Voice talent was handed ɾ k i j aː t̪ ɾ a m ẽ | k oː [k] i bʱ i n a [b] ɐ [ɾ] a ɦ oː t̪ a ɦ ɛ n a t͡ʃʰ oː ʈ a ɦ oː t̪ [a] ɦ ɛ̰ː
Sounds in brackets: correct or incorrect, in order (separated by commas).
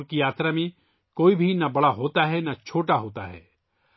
incorrect, correct, incorrect, correct